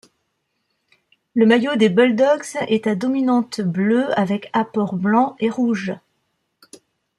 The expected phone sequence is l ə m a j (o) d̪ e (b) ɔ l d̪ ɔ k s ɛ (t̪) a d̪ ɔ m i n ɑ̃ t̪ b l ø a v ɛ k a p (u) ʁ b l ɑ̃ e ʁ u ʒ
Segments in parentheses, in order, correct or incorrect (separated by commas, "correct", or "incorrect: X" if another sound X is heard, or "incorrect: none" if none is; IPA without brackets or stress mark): correct, correct, correct, incorrect: ɔ